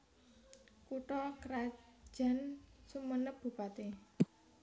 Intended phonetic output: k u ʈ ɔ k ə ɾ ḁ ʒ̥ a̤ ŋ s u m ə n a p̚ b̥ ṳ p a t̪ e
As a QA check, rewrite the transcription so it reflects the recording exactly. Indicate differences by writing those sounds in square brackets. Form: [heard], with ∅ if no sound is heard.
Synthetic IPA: k u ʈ ɔ k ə ɾ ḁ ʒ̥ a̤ [n] s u m ə n [ə] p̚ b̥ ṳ p a t̪ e

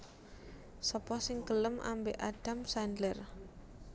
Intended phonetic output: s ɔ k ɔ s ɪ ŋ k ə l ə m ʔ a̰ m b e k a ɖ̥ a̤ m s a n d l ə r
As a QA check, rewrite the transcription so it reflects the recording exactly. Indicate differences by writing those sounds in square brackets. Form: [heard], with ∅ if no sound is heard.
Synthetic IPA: s ɔ [p] ɔ s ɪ ŋ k ə l ə m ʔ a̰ m b e [ʔ] a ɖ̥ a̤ m s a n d l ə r

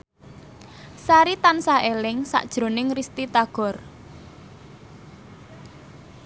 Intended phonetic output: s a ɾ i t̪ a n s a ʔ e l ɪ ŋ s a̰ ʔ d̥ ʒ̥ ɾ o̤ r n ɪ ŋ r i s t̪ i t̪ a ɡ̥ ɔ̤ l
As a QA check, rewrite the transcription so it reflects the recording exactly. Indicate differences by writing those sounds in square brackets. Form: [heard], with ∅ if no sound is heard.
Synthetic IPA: s a ɾ i t̪ a n s a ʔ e l ɪ ŋ s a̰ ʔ d̥ ʒ̥ ɾ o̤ [∅] n ɪ ŋ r i s t̪ i t̪ a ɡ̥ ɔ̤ [r]

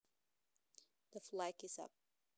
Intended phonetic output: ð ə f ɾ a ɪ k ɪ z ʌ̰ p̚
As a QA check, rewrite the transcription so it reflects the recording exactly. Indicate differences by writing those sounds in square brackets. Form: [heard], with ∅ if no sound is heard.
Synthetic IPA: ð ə f [l] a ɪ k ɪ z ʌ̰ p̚

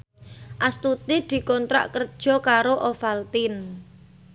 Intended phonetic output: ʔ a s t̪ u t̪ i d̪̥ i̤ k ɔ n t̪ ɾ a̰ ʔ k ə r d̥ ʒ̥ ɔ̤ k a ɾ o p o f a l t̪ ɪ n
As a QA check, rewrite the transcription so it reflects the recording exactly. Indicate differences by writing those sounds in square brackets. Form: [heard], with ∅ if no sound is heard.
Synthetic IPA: ʔ a s t̪ u t̪ i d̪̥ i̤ k ɔ n t̪ ɾ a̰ ʔ k ə r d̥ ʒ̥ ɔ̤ k a ɾ o [ʔ] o f a l t̪ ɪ n

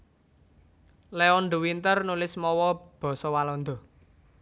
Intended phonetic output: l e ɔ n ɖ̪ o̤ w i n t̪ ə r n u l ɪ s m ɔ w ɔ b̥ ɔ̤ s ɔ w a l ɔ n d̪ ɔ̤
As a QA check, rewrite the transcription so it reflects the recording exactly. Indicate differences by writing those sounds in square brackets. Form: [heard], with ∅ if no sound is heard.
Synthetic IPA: l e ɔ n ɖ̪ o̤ w i n t̪ ə r n u l ɪ s m ɔ w ɔ b̥ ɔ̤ s ɔ w a l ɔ n d̪ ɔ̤

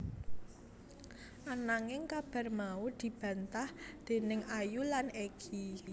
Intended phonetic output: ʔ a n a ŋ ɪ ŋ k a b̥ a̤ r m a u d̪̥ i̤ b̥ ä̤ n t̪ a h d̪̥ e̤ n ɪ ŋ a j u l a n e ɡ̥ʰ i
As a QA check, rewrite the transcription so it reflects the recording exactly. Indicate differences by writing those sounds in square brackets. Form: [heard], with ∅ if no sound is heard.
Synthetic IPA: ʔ a n a ŋ ɪ ŋ k a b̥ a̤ r m a u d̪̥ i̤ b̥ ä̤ n t̪ a h d̪̥ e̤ n ɪ ŋ a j u l a n e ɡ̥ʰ i

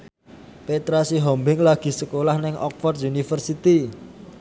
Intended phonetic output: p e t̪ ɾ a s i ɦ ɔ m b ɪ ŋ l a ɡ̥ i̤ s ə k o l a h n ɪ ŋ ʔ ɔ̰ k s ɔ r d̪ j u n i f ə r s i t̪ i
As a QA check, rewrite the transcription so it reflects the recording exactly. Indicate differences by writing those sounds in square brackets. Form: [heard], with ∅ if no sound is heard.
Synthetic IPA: p e t̪ ɾ a s i ɦ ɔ m b ɪ ŋ l a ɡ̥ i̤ s ə k o l a h n ɪ ŋ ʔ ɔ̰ k [f] ɔ r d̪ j u n i f ə r s i t̪ i

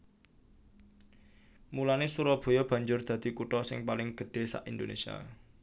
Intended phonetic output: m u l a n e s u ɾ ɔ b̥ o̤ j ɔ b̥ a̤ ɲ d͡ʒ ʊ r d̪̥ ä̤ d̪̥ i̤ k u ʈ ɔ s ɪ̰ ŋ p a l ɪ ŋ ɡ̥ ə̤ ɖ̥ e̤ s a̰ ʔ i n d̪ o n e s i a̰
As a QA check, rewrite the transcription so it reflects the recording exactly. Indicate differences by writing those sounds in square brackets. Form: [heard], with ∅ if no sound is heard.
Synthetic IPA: m u l a n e s u ɾ ɔ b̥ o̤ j ɔ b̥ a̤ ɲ d͡ʒ ʊ r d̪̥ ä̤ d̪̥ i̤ k u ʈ ɔ s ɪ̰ ŋ p a l ɪ ŋ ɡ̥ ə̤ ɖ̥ e̤ s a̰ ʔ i n d̪ o n e s i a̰

